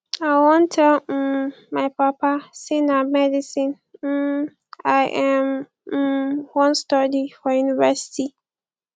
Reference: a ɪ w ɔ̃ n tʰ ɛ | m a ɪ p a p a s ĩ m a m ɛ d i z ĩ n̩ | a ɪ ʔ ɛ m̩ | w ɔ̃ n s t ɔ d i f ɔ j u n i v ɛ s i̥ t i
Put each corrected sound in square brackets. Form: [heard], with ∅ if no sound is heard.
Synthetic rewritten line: a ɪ w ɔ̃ n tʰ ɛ | m a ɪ p a p a s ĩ [n] a m ɛ d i [s] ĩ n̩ | a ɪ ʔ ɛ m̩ | w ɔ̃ n s t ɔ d i f ɔ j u n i v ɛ s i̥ t i